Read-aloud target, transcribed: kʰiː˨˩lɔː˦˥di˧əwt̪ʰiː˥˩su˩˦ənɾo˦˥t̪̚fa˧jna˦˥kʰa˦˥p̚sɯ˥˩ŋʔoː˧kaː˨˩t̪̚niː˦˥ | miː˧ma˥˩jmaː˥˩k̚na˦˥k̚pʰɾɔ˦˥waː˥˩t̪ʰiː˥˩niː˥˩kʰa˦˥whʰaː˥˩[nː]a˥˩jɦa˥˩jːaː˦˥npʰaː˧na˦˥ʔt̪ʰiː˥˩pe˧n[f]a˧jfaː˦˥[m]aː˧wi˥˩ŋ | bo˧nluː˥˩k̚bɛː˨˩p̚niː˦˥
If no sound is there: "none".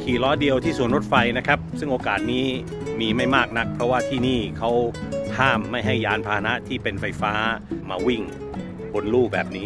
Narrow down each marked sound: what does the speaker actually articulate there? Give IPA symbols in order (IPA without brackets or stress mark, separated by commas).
mː, f, m